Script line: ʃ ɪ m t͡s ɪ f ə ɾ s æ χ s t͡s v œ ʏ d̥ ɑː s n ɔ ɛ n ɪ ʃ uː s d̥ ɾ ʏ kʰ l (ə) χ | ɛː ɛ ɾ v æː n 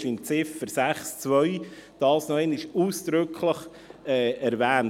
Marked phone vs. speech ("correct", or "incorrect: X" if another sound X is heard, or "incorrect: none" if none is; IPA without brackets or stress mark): correct